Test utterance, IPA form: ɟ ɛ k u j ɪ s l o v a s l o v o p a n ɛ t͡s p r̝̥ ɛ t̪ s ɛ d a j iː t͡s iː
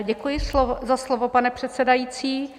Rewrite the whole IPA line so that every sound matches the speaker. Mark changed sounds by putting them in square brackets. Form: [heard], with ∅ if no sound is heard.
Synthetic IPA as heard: ɟ ɛ k u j ɪ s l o [z] a s l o v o p a n ɛ [∅] p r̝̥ ɛ t̪ s ɛ d a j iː t͡s iː

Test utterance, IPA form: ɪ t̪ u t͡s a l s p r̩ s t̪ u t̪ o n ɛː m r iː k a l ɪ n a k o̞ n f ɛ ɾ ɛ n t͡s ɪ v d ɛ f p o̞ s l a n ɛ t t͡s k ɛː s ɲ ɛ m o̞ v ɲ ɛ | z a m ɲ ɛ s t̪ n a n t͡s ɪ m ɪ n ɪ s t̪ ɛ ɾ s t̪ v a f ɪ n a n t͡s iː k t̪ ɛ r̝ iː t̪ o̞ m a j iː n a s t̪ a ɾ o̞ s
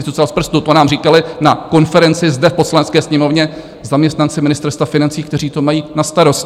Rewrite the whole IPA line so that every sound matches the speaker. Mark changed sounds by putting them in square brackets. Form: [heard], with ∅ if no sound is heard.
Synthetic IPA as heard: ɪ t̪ u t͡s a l s p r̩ s t̪ u t̪ o n [aː] m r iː k a l ɪ n a k o̞ n f ɛ ɾ ɛ n t͡s ɪ [z] d ɛ f p o̞ s l a n ɛ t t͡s k ɛː s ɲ ɛ m o̞ v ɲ ɛ | z a m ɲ ɛ s t̪ n a n t͡s ɪ m ɪ n ɪ s t̪ ɛ ɾ s t̪ v a f ɪ n a n t͡s iː k t̪ ɛ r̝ iː t̪ o̞ m a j iː n a s t̪ a ɾ o̞ s

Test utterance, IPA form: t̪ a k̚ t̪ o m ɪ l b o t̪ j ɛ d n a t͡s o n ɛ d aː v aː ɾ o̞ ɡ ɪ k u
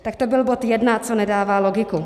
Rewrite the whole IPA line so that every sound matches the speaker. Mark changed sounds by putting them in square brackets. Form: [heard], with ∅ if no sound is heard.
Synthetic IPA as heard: t̪ a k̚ t̪ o [b] ɪ l b o t̪ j ɛ d n a t͡s o n ɛ d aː v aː [l] o̞ ɡ ɪ k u

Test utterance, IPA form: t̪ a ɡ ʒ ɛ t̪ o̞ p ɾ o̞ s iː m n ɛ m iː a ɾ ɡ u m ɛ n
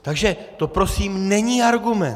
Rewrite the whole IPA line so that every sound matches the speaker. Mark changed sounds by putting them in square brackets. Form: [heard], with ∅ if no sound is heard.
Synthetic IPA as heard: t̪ a ɡ ʒ ɛ t̪ o̞ p ɾ o̞ s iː m n ɛ [ɲ] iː a ɾ ɡ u m ɛ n

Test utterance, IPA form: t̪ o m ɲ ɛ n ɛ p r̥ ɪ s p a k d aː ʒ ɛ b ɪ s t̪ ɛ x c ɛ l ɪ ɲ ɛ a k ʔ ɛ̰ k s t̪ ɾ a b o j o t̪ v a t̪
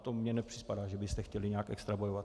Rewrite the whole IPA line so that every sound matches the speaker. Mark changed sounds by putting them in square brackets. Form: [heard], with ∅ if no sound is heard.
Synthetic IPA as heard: t̪ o m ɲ ɛ n ɛ p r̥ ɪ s p a [∅] d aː ʒ ɛ b ɪ s t̪ ɛ x c ɛ l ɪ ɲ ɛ a k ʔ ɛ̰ k s t̪ ɾ a b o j o [∅] v a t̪

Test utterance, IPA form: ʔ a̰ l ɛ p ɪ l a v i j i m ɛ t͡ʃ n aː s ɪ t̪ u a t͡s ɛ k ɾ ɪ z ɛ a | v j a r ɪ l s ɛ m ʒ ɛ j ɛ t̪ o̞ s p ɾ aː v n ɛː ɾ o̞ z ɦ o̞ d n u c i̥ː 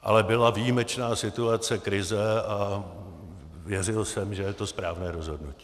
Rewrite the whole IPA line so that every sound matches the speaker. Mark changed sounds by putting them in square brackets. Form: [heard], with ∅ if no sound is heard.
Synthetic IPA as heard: ʔ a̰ l ɛ [b] ɪ l a v i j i m ɛ t͡ʃ n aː s ɪ t̪ u a t͡s ɛ k ɾ ɪ z ɛ a | v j [ɛ] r ɪ l s ɛ m ʒ ɛ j ɛ t̪ o̞ s p ɾ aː v n ɛː ɾ o̞ z ɦ o̞ d n u c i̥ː

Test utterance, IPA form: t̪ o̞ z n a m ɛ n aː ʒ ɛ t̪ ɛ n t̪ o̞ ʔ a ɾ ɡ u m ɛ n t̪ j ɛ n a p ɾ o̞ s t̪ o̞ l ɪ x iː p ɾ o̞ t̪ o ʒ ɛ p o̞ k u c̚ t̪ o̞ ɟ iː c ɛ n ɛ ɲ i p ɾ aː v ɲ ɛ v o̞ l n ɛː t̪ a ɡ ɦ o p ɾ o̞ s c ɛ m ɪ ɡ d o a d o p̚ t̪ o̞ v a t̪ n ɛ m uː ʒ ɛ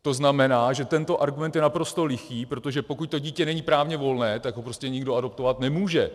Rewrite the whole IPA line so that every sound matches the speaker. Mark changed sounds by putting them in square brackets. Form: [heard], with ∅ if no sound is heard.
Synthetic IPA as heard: t̪ o̞ z n a m ɛ n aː ʒ ɛ t̪ ɛ n t̪ o̞ ʔ a ɾ ɡ u m ɛ n t̪ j ɛ n a p ɾ o̞ s t̪ o̞ l ɪ x iː p ɾ o̞ t̪ o ʒ ɛ p o̞ k u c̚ t̪ o̞ ɟ iː c ɛ n ɛ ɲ i p ɾ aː v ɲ ɛ v o̞ l n ɛː t̪ a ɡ ɦ o p ɾ o̞ s c ɛ [ɲ] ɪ ɡ d o a d o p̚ t̪ o̞ v a t̪ n ɛ m uː ʒ ɛ

